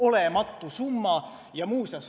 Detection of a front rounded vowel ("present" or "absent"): absent